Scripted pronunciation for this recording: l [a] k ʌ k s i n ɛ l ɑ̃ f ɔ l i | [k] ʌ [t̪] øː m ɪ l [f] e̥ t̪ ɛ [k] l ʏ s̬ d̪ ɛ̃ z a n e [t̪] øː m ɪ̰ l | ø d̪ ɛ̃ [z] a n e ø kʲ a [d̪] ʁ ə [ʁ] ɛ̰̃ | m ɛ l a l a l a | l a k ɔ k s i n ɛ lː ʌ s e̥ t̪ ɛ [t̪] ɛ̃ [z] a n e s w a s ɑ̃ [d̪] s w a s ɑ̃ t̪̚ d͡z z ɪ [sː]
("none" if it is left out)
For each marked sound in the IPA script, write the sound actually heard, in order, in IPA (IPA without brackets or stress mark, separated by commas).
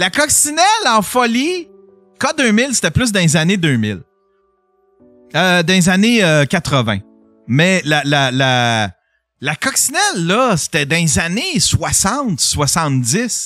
a, k, d̪, s, p, d̪, z, t̪, v, d̪, z, t̪, s